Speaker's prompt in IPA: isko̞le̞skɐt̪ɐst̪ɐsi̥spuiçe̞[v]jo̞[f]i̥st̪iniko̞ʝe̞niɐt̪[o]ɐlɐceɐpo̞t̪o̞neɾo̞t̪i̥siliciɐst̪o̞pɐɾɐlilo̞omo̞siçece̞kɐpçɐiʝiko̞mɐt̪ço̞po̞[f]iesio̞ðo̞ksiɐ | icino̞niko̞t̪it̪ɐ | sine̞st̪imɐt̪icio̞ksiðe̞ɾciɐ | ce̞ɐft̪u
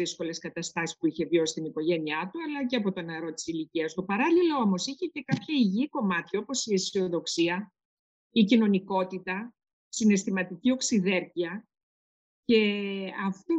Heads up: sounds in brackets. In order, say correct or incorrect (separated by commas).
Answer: correct, incorrect, incorrect, incorrect